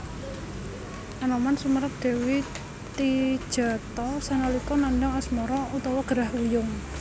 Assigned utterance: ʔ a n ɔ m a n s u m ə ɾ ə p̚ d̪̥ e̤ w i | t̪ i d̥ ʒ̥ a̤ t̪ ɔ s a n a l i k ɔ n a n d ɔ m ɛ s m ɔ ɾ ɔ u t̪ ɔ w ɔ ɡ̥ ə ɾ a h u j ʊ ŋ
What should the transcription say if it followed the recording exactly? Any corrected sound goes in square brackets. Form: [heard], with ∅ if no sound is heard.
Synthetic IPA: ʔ a n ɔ m a n s u m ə ɾ ə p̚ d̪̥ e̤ w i | t̪ i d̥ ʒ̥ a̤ t̪ ɔ s a n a l i k ɔ n a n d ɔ [ŋ] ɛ s m ɔ ɾ ɔ u t̪ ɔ w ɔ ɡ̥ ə ɾ a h u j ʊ ŋ